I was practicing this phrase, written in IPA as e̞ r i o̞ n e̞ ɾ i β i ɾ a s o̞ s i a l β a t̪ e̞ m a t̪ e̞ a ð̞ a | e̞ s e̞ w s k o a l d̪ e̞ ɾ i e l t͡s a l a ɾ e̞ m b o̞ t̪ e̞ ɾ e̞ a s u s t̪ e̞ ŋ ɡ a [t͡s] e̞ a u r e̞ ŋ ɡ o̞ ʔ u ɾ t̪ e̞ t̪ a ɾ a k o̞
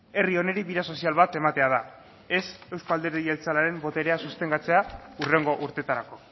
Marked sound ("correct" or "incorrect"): correct